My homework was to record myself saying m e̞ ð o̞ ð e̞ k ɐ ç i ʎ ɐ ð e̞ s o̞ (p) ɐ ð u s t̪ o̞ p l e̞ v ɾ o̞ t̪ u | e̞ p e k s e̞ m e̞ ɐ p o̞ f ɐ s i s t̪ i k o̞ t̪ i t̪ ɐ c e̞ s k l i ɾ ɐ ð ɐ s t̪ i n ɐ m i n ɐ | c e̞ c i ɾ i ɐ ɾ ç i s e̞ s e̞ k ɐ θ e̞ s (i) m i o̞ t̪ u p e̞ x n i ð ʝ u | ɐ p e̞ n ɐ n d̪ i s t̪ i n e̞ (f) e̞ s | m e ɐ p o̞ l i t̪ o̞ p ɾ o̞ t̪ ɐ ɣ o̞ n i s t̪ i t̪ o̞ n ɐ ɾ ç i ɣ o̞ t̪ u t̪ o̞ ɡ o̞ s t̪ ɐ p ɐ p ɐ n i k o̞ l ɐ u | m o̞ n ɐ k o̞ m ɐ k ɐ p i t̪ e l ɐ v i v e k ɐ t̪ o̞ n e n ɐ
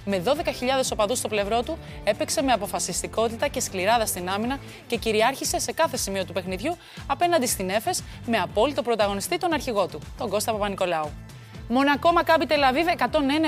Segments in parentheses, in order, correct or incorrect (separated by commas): correct, correct, correct